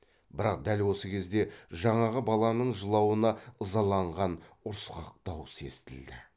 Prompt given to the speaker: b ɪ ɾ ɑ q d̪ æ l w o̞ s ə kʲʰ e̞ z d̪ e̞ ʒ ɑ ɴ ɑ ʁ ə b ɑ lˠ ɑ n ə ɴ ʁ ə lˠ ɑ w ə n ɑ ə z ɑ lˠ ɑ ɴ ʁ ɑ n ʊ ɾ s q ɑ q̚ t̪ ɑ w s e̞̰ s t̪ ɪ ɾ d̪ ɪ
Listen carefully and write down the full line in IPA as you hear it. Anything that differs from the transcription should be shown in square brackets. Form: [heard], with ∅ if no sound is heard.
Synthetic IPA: b ɪ ɾ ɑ q d̪ æ l w o̞ s ə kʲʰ e̞ z d̪ e̞ ʒ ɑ ɴ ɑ ʁ ə b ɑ lˠ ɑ n ə ɴ [ʒ] ə lˠ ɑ w ə n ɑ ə z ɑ lˠ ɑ ɴ ʁ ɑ n ʊ ɾ s q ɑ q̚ t̪ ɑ w s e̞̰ s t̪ ɪ [l] d̪ ɪ